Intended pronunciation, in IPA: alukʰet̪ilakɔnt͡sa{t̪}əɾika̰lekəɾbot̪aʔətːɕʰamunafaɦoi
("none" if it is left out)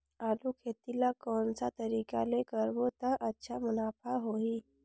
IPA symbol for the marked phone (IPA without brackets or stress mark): t̪